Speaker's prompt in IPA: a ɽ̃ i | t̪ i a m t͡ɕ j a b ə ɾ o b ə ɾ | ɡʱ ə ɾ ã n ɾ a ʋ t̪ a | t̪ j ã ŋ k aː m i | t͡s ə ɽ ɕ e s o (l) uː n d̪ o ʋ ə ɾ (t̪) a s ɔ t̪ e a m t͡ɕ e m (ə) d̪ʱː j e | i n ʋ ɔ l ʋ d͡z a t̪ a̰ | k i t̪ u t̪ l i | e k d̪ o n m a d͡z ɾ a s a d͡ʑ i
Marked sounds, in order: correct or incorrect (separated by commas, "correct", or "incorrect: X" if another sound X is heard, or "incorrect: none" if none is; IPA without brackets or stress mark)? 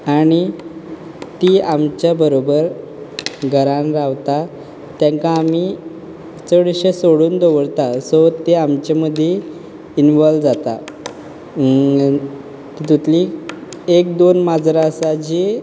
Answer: incorrect: ɽ, correct, correct